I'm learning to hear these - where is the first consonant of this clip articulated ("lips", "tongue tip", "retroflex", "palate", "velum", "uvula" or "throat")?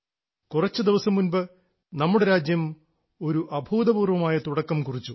velum